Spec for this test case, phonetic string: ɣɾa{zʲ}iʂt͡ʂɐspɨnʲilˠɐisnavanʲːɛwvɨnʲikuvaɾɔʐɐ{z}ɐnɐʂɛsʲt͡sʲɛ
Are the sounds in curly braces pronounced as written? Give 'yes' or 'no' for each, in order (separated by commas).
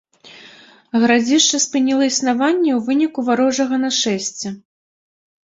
no, no